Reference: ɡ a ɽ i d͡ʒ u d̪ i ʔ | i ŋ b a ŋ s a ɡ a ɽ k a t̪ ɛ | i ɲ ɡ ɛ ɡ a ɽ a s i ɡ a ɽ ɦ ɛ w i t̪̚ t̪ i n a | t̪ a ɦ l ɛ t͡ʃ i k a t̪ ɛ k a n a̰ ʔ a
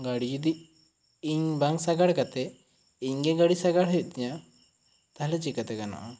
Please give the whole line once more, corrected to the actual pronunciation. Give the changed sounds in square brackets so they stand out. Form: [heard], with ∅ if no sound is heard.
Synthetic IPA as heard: ɡ a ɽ i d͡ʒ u d̪ i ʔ | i [ɲ] b a ŋ s a ɡ a ɽ k a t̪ ɛ | i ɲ ɡ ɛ ɡ a ɽ [i] s [a] ɡ a ɽ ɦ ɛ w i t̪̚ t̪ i [ɲ] a | t̪ a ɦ l ɛ t͡ʃ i k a t̪ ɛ k a n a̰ ʔ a